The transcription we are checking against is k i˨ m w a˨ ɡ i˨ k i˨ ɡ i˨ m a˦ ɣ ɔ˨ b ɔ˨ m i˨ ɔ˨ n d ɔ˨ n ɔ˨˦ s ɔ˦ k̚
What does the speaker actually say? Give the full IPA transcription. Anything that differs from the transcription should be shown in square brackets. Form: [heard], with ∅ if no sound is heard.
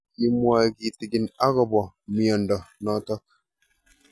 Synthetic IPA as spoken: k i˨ m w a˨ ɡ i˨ [t] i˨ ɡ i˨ [n] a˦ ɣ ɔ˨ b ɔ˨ m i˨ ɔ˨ n d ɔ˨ n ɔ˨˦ [t] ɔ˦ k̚